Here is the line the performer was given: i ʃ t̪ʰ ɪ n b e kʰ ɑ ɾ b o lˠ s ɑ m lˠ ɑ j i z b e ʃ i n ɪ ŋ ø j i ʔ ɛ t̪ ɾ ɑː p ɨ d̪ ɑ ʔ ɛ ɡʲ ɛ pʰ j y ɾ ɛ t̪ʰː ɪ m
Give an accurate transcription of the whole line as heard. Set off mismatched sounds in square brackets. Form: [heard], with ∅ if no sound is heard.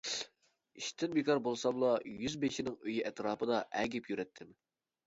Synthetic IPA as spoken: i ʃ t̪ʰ ɪ n b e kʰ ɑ ɾ b o lˠ s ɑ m lˠ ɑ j [y] z b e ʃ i n ɪ ŋ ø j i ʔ ɛ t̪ ɾ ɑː p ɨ d̪ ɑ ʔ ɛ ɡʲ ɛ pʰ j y ɾ ɛ t̪ʰː ɪ m